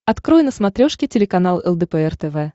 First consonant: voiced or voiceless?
voiceless